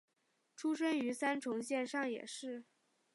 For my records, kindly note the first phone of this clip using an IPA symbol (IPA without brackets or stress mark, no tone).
ʈ͡ʂʰ